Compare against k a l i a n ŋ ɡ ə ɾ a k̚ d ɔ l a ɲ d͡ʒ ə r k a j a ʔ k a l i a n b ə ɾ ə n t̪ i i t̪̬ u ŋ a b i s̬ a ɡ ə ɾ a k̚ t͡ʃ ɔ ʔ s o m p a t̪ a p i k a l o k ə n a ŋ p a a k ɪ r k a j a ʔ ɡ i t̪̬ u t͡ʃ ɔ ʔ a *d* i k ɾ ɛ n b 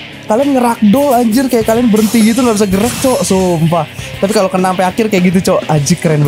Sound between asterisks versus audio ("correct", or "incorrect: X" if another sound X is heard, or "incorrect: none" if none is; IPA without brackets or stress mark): incorrect: d͡ʒ